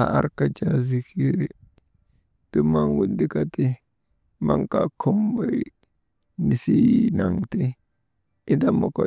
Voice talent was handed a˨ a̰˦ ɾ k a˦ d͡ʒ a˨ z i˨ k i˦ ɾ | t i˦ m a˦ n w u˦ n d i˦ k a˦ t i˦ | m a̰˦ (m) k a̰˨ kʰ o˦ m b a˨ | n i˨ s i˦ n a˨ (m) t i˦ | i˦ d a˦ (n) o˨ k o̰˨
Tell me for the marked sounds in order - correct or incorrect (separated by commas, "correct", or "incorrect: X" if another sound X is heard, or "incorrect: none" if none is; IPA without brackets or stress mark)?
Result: incorrect: ŋ, incorrect: ŋ, incorrect: m